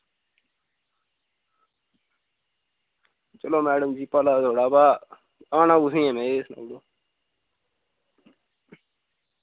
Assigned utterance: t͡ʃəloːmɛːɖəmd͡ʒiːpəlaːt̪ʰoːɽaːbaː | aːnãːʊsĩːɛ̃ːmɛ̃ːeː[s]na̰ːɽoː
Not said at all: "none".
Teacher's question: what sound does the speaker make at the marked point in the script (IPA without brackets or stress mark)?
s